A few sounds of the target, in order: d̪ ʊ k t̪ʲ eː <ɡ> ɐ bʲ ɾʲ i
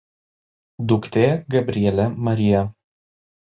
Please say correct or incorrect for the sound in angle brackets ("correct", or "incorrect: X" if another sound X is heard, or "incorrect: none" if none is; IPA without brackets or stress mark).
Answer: correct